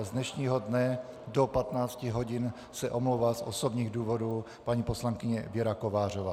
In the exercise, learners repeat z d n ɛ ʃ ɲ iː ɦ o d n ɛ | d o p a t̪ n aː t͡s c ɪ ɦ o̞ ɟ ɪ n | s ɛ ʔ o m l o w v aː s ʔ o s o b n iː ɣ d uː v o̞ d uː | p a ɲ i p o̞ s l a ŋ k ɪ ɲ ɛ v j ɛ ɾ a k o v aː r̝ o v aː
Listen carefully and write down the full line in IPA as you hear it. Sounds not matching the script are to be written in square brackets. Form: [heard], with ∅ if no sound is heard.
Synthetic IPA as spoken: z d n ɛ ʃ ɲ iː ɦ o d n ɛ | d o p a t̪ n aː t͡s c ɪ ɦ o̞ ɟ ɪ n | s ɛ ʔ o m l o w v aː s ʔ o s o b [ɲ] iː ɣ d uː v o̞ d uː | p a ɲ i p o̞ s l a ŋ k ɪ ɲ ɛ v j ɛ ɾ a k o v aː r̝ o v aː